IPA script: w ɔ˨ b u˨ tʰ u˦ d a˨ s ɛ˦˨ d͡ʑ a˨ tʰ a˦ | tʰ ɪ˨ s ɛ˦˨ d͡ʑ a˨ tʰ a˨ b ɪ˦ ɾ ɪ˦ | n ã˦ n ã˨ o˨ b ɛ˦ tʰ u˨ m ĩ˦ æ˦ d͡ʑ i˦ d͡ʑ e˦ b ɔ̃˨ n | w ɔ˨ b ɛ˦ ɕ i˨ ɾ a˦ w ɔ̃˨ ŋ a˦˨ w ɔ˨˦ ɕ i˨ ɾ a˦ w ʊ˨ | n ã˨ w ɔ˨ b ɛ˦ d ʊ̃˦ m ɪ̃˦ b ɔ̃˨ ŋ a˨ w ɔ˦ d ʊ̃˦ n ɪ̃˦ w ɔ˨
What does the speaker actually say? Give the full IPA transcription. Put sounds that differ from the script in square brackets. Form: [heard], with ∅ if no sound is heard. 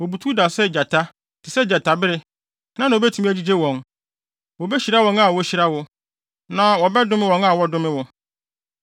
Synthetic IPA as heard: w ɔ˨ b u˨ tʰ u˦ d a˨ s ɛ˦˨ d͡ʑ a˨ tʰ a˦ | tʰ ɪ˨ s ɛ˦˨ d͡ʑ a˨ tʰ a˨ b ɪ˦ ɾ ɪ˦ | n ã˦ n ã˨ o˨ b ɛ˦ tʰ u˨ m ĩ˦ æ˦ d͡ʑ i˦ d͡ʑ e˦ [w] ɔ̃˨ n | w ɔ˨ b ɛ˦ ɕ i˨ ɾ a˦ w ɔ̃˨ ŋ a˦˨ w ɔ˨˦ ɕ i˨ ɾ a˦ w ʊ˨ | n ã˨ w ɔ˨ b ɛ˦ d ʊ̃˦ m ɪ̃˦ [w] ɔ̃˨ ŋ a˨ w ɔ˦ d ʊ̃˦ [m] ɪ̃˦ w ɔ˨